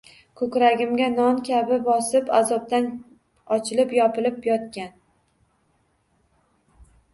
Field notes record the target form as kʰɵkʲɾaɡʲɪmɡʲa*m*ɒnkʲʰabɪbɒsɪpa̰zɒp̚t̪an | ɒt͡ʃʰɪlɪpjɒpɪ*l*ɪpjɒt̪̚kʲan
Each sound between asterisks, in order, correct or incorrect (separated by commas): incorrect, correct